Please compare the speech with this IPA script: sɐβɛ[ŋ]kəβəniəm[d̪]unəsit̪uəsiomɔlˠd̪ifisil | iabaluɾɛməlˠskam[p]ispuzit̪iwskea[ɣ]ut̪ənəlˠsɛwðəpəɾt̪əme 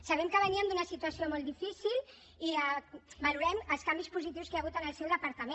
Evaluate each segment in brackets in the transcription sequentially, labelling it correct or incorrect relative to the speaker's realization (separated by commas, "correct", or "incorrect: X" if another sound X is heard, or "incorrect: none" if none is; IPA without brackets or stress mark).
incorrect: m, correct, incorrect: b, correct